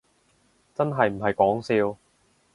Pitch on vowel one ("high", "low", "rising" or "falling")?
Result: high